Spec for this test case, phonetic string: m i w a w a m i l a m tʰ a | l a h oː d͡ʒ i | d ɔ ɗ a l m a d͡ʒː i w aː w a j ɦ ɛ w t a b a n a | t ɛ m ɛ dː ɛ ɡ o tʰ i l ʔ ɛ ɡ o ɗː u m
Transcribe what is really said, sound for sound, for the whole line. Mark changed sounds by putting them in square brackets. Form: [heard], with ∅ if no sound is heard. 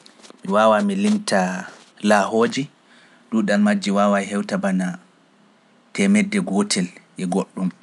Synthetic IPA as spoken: m i w a w a m i l [i] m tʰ a | l a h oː d͡ʒ i | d [u] ɗ a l m a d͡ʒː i w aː w a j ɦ ɛ w t a b a n a | t ɛ m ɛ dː ɛ ɡ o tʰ [ɛ] l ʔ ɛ ɡ o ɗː u m

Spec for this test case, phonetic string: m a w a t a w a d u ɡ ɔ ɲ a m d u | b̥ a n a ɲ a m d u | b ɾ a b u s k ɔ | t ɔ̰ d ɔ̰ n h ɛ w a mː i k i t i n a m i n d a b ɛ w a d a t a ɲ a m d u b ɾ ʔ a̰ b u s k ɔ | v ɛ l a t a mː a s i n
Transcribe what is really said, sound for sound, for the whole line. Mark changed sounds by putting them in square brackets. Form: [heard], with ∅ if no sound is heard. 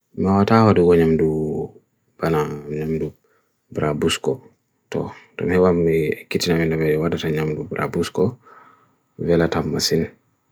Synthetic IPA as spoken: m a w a t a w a d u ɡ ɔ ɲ a m d u | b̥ a n a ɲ a m d u | b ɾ a b u s k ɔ | t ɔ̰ d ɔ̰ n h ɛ w a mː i k i t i n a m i n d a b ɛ w a d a t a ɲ a m d u b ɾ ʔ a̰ b u s k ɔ | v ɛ l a t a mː a s i n

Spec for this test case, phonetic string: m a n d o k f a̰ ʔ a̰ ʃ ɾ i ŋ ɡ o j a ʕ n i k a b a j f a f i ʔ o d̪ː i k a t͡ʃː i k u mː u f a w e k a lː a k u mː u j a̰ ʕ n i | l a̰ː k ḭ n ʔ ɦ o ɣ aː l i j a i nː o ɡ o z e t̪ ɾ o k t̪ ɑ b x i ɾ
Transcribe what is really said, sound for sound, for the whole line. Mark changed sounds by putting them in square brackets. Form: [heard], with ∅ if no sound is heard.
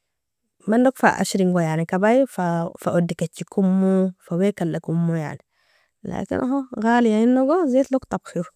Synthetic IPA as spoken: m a n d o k f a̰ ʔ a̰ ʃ ɾ i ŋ ɡ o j a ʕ n i k a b a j f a f [a] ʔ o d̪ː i k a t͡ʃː i k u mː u f a w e k a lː a k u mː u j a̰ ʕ n i | l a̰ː k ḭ n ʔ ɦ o ɣ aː l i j a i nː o ɡ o z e t̪ [l] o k t̪ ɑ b x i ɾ

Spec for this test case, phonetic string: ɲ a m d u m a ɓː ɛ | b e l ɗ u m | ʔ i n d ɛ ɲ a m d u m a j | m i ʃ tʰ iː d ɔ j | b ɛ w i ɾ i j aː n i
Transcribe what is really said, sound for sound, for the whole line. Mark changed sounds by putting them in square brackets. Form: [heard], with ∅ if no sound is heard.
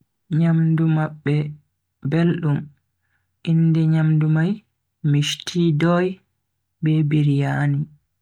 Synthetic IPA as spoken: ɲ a m d u m a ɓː ɛ | b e l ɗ u m | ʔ i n d ɛ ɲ a m d u m a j | m i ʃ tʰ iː d ɔ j | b ɛ [b] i ɾ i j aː n i

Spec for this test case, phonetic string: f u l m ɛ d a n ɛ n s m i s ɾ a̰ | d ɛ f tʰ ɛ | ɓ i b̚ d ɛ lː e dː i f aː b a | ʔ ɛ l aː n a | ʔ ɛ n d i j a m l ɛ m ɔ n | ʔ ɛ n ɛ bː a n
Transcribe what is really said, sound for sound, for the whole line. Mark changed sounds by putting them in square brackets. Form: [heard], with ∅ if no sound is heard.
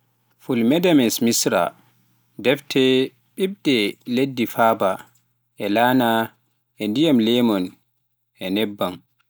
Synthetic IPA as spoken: f u l m ɛ d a [m] ɛ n s m i s ɾ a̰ | d ɛ f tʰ ɛ | ɓ i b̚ d ɛ [l] e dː i f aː b a | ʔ ɛ l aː n a | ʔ ɛ n d i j a m l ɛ m ɔ n | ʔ ɛ n ɛ bː a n

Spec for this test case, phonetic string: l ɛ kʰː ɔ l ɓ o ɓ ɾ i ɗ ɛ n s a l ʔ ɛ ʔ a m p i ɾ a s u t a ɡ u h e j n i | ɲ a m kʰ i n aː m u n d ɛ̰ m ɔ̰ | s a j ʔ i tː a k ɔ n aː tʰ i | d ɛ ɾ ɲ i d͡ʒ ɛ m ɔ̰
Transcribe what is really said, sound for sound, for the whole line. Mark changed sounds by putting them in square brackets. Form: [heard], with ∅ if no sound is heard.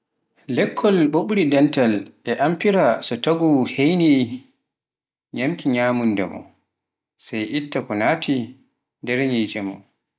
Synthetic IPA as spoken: l ɛ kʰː ɔ l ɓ o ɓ ɾ i [d] ɛ n [t] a l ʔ ɛ ʔ a m p i ɾ a s [ɔ] t a ɡ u h e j n i | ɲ a m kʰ i [ɲ] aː m u n d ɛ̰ m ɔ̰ | s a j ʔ i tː a k ɔ n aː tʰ i | d ɛ ɾ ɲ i d͡ʒ ɛ m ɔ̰

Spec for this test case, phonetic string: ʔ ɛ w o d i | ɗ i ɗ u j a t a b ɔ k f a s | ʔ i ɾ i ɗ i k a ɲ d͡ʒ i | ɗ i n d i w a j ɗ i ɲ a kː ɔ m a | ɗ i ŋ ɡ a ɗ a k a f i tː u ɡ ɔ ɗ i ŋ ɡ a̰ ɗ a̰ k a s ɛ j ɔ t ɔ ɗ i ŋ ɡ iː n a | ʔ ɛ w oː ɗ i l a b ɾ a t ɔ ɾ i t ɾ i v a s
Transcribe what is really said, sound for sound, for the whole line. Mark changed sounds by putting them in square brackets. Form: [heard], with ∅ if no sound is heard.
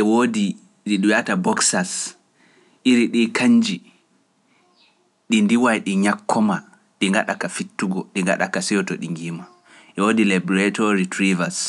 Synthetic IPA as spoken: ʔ ɛ w o d i | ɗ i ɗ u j a t a b ɔ k [s] a s | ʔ i ɾ i ɗ i k a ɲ d͡ʒ i | ɗ i n d i w a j ɗ i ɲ a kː ɔ m a | ɗ i ŋ ɡ a ɗ a k a f i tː u ɡ ɔ ɗ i ŋ ɡ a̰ ɗ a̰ k a s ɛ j ɔ t ɔ ɗ i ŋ ɡ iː [m] a | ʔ ɛ w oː [d] i l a b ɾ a t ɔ ɾ i t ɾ i v a s

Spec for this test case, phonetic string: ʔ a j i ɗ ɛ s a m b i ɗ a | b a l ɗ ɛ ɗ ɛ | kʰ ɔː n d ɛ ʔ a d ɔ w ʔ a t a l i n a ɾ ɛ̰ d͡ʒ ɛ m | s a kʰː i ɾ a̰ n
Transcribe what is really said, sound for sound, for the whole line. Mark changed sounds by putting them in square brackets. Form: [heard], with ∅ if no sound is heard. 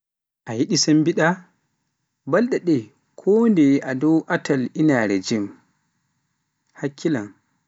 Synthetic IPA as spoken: ʔ a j i ɗ [i] s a m b i ɗ a | b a l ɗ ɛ ɗ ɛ | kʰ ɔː n d ɛ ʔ a d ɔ w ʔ a t a l i n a ɾ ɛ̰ d͡ʒ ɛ m | [h] a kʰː i [l] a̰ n

